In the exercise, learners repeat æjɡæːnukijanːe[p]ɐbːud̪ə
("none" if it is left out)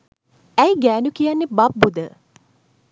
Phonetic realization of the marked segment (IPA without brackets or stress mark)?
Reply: b